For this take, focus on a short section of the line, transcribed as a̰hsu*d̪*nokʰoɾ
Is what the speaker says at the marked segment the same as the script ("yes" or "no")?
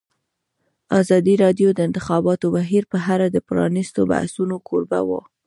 no